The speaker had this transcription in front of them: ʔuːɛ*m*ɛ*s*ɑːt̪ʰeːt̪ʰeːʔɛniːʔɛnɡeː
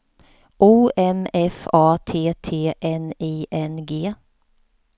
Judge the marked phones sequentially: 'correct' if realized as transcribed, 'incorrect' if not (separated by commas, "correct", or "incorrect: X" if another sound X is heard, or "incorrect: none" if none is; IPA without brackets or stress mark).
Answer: correct, incorrect: f